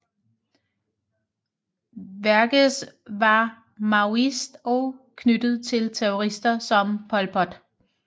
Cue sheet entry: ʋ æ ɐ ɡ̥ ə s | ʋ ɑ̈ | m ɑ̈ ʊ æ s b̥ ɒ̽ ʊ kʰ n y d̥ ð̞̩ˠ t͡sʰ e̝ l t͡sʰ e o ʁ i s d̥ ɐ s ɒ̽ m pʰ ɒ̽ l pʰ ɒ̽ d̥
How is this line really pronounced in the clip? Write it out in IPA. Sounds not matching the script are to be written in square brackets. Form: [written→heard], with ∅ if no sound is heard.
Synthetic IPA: ʋ æ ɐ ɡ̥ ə s | ʋ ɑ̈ | m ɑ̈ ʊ [æ→i] s [b̥→d̥] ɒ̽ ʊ kʰ n y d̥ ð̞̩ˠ t͡sʰ e̝ l t͡sʰ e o ʁ i s d̥ ɐ s ɒ̽ m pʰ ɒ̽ l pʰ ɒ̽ d̥